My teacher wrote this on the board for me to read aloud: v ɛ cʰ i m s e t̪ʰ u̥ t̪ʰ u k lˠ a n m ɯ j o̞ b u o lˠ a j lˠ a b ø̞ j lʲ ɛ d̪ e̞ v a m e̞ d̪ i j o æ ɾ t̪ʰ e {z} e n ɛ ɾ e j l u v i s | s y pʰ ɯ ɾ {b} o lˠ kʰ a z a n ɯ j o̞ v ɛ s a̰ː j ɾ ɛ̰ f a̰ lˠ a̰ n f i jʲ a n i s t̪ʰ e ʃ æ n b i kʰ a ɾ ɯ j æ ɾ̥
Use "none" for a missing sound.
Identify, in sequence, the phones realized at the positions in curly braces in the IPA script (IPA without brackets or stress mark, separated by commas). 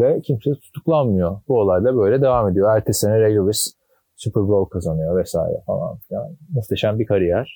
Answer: s, b